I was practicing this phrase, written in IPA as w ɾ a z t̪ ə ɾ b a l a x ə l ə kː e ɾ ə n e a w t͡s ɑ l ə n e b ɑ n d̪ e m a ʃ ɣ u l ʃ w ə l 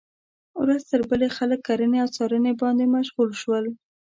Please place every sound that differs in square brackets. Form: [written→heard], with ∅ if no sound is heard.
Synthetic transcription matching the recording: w ɾ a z t̪ ə ɾ b [a→ə] l [a→e] x [ə→a] l ə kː [e→a] ɾ ə n e a w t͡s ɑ [l→ɾ] ə n e b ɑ n d̪ e m a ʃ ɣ u l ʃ w ə l